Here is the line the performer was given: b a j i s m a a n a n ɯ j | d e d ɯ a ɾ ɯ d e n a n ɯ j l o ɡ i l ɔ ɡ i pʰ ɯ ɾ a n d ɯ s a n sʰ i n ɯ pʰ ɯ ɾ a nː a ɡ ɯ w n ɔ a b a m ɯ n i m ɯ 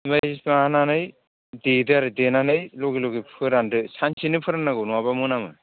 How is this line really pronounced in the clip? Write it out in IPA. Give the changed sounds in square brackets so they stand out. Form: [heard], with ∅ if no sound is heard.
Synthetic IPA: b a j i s m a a n a n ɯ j | d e d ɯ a ɾ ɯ d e n a n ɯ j l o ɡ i l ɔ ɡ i pʰ ɯ ɾ a n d ɯ s a n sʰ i n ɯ pʰ ɯ ɾ a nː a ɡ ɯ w n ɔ a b a m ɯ n [a] m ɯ